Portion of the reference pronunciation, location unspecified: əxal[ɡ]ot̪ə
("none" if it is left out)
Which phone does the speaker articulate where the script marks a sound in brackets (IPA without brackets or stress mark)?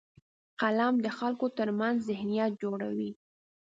k